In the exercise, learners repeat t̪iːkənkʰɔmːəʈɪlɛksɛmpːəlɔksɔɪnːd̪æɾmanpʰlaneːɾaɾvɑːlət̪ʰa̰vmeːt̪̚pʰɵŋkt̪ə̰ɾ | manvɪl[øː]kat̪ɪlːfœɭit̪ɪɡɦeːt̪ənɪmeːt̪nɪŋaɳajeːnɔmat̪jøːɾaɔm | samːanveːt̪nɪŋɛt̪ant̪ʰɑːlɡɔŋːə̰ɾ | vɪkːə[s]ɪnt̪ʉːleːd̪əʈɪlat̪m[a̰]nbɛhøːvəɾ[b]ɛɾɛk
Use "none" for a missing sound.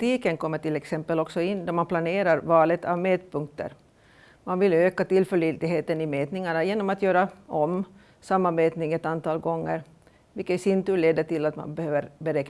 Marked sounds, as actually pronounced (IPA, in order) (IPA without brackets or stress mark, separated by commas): øː, s, a̰, b